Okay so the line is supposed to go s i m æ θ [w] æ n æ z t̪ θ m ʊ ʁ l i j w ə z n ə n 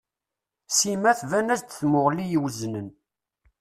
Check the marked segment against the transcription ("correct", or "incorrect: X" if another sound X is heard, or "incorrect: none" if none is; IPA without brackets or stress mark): incorrect: v